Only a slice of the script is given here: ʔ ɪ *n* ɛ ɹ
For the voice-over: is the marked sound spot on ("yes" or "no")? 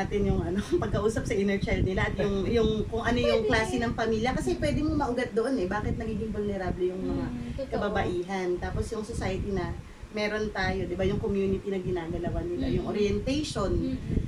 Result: yes